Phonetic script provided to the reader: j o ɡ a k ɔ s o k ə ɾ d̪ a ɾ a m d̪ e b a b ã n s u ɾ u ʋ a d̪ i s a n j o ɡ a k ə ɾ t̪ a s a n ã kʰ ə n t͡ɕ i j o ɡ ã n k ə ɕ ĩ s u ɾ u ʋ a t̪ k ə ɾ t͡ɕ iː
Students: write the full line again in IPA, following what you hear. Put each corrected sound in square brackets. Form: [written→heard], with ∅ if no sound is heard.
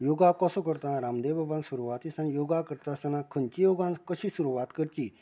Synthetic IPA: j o ɡ a k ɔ s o k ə ɾ [d̪→t̪] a ɾ a m d̪ e b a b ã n s u ɾ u ʋ a [d̪→t̪] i s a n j o ɡ a k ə ɾ t̪ a s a n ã kʰ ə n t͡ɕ i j o ɡ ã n k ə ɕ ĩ s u ɾ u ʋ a t̪ k ə ɾ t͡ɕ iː

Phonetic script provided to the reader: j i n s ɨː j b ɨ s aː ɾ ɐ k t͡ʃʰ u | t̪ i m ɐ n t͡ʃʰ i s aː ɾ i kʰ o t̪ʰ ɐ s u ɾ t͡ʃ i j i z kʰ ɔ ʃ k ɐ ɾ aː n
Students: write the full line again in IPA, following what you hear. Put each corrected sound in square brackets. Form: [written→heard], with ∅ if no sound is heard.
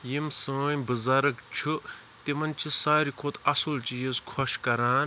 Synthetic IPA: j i [n→m] s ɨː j b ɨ [s→z] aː ɾ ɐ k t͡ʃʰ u | t̪ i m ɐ n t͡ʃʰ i s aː ɾ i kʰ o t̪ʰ ɐ s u [ɾ→l] t͡ʃ i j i z kʰ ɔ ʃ k ɐ ɾ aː n

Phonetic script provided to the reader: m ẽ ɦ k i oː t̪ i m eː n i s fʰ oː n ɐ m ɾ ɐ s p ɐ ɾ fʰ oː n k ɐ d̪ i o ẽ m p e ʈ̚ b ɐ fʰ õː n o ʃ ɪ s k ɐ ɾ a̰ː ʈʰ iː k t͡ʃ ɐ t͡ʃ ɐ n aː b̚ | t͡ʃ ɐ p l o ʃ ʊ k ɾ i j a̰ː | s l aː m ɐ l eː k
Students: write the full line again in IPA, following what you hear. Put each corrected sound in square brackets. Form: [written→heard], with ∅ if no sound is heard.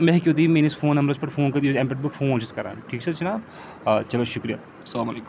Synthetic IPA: m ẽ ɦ k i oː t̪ i m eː n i s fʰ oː n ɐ m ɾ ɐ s p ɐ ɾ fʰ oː n k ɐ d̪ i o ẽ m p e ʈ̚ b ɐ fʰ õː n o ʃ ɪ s k ɐ ɾ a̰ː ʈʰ iː k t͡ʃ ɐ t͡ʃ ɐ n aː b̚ | t͡ʃ ɐ [p→∅] l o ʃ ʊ k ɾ i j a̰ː | s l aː m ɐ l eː k

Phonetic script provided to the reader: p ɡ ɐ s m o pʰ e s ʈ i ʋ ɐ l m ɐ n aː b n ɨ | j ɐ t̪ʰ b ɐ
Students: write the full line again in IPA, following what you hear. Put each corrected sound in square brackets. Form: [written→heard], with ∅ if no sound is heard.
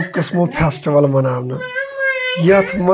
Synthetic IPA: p [ɡ→k] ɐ s m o pʰ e s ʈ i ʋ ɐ l m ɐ n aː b n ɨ | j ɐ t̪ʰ [b→m] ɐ

